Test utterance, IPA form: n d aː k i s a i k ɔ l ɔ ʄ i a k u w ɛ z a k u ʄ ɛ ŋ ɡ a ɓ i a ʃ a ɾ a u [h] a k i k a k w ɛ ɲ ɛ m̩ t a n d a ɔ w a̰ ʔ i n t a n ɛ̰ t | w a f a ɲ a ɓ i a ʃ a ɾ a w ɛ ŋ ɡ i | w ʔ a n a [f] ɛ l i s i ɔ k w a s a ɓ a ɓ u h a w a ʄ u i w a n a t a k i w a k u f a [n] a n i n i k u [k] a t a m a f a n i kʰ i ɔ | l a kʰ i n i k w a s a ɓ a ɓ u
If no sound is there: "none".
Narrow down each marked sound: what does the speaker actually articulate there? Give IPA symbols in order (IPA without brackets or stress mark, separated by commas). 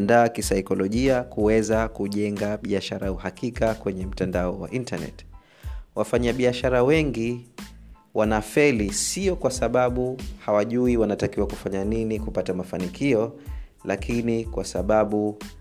h, f, ɲ, p